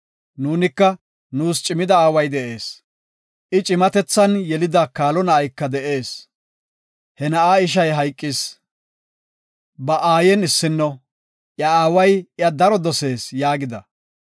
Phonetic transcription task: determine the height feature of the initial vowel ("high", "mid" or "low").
high